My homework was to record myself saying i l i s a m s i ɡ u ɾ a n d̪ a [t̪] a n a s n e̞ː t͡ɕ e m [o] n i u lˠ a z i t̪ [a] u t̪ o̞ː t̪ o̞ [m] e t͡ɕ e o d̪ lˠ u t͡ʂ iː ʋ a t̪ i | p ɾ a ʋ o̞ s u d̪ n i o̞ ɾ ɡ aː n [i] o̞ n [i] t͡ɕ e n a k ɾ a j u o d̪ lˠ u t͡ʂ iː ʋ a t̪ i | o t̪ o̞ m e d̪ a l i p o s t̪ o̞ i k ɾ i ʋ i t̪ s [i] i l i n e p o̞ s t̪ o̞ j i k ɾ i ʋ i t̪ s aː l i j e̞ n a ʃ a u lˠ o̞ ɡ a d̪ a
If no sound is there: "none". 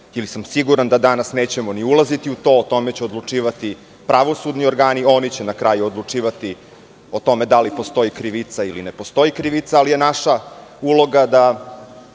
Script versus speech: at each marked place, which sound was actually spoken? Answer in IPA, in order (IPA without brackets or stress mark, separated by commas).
d̪, o, i, m, i, i, a